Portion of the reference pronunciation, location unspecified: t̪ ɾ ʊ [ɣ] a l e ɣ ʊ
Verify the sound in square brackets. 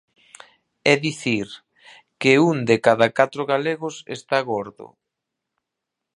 correct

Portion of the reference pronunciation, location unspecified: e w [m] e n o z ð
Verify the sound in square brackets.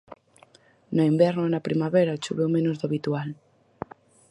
correct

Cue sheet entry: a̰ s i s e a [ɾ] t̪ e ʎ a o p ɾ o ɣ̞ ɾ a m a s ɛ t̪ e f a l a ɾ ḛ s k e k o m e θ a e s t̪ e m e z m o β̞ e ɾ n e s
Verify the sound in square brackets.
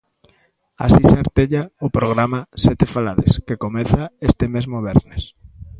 correct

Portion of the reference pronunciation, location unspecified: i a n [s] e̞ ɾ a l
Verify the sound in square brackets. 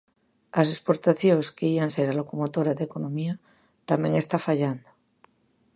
correct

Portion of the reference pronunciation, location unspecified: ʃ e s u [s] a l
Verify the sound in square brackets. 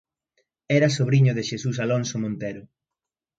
correct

